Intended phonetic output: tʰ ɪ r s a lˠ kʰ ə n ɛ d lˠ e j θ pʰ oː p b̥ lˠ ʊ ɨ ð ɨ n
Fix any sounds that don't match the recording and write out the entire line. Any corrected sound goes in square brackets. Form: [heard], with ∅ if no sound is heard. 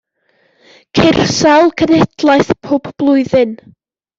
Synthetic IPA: [kʰ] ɪ r s a lˠ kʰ ə n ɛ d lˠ [a] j θ pʰ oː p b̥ lˠ ʊ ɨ ð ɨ n